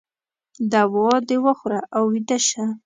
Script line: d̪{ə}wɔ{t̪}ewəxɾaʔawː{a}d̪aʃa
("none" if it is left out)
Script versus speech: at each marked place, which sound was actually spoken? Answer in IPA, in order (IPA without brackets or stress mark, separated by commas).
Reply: a, d̪, i